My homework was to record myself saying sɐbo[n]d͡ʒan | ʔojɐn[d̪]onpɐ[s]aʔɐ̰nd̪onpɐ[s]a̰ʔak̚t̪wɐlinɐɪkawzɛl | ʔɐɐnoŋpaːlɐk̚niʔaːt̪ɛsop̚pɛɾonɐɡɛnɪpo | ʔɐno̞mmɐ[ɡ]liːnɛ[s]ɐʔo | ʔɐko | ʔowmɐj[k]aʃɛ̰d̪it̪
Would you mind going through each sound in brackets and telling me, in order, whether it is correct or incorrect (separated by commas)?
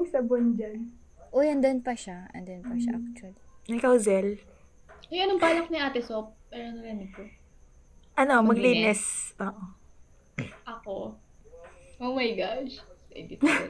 correct, correct, incorrect, incorrect, correct, correct, incorrect